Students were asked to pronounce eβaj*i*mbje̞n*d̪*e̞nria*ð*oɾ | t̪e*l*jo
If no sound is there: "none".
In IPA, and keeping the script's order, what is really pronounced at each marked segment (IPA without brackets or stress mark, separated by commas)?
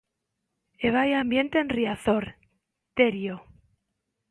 a, t̪, θ, ɾ